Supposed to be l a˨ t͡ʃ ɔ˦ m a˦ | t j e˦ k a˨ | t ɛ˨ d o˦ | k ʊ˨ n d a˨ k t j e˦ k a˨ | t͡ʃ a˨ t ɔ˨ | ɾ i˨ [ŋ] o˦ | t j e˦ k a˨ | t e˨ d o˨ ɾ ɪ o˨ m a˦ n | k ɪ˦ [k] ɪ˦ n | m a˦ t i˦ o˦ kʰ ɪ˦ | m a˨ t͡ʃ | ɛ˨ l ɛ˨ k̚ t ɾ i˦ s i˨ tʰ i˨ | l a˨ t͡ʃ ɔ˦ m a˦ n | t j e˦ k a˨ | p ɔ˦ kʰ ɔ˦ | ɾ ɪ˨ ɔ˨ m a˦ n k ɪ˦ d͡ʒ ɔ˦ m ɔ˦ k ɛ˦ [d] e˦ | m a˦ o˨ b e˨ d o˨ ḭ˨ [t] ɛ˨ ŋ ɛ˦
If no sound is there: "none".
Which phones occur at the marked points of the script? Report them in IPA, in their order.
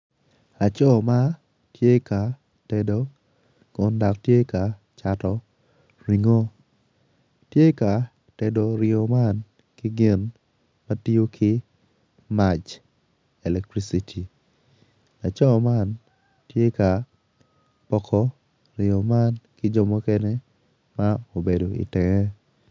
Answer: ŋ, ɡ, n, t

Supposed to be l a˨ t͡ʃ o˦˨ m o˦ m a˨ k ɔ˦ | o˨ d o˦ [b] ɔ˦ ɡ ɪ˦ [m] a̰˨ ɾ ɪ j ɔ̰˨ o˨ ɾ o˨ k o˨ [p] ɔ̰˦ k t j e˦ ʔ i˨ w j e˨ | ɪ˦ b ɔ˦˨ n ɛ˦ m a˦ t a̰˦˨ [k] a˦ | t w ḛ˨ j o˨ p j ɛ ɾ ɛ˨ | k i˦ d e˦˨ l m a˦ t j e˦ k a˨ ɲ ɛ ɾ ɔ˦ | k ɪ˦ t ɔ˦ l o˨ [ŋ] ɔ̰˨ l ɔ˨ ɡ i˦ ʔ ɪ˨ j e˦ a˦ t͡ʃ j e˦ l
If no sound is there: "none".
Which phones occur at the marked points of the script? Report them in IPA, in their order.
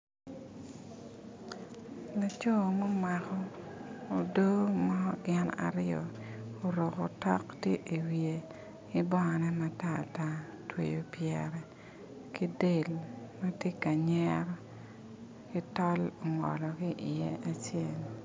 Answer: m, n, t, t, ŋ

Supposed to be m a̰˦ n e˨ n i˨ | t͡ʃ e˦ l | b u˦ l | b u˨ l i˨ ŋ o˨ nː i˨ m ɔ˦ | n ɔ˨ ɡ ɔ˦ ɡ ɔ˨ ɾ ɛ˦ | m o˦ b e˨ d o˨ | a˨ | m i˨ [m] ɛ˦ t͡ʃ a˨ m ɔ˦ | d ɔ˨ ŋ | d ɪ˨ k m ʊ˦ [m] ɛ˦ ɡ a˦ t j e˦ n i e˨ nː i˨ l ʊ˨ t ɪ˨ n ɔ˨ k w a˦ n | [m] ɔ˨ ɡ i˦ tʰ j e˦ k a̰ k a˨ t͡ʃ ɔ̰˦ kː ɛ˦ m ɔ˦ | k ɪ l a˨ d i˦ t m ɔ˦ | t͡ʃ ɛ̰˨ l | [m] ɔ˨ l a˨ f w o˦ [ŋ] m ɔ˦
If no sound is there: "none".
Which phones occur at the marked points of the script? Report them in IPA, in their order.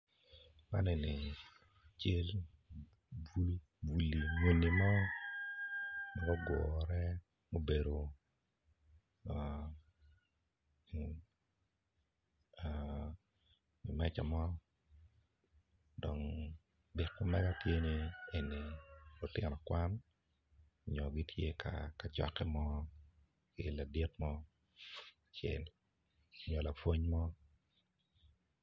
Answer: m, m, ɲ, ɲ, ɲ

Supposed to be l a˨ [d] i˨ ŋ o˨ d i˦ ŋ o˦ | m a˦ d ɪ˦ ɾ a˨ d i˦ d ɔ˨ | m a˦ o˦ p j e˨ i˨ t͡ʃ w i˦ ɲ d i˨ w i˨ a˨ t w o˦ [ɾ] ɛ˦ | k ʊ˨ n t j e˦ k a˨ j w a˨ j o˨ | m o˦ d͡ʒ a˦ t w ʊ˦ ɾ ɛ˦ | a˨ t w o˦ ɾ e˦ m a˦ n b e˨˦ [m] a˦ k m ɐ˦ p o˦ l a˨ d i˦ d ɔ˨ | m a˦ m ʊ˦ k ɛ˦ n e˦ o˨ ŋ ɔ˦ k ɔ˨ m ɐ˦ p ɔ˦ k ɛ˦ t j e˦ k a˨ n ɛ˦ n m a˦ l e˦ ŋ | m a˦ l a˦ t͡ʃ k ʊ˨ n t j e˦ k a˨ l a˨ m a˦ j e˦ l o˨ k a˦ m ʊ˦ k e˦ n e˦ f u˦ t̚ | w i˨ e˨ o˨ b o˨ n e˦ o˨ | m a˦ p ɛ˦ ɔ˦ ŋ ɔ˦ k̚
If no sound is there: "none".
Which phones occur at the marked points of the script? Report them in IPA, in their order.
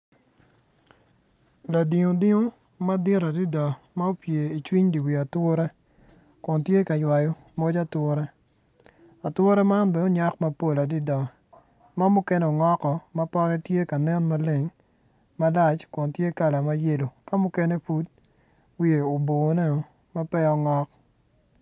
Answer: d, ɾ, ɲ

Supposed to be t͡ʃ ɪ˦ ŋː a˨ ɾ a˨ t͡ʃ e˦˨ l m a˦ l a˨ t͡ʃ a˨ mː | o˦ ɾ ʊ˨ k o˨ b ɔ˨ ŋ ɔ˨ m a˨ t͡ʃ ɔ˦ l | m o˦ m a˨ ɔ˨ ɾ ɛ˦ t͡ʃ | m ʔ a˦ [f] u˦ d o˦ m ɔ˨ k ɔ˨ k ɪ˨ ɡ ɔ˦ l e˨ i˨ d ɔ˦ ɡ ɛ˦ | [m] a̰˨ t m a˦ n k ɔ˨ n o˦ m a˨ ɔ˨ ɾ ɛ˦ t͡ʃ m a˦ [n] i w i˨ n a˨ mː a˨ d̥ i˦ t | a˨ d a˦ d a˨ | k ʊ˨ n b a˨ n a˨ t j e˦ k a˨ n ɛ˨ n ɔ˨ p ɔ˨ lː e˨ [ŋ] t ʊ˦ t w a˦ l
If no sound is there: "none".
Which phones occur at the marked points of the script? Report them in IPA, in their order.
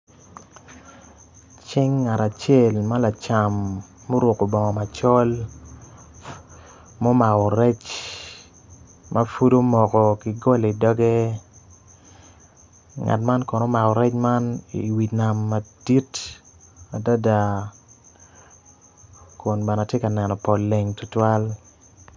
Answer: f, ŋ, n, ŋ

